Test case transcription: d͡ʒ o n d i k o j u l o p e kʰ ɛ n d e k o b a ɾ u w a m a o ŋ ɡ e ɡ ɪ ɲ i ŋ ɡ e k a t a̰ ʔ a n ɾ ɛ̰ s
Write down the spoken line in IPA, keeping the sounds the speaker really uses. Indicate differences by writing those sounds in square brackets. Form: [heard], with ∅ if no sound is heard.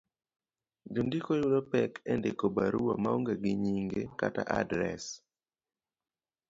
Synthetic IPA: d͡ʒ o n d i k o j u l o p [ɛ] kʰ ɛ n d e k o b a ɾ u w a m a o ŋ ɡ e ɡ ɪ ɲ i ŋ ɡ e k a t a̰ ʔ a [d] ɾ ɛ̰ s